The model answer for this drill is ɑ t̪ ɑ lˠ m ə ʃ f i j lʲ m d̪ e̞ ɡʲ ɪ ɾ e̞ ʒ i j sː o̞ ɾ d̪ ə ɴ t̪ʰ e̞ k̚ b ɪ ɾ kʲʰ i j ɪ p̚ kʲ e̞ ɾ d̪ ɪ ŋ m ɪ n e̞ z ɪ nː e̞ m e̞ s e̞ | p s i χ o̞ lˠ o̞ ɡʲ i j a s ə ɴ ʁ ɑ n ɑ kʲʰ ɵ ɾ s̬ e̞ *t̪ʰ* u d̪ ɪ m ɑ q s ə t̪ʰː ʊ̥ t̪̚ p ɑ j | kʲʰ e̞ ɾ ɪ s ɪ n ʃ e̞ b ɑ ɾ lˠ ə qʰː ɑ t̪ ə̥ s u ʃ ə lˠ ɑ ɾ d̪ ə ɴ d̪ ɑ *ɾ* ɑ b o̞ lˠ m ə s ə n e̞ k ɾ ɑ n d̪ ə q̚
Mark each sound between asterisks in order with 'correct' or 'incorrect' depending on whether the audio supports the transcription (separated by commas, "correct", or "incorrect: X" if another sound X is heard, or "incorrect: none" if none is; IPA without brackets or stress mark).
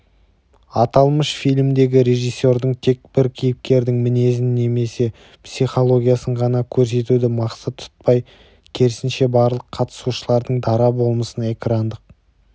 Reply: incorrect: t̪, correct